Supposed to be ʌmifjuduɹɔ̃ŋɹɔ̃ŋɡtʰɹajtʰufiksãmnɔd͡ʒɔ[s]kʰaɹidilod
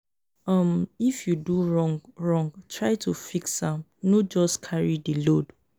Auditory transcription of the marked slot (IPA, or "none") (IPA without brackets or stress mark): s